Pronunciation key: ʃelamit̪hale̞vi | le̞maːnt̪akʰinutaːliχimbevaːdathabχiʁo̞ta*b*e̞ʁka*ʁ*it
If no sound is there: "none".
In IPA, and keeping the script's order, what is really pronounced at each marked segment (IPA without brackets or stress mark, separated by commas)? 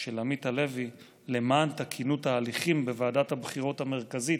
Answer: m, z